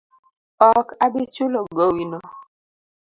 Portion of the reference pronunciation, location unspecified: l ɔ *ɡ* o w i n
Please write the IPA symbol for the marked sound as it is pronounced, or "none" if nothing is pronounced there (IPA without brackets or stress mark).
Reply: ɡ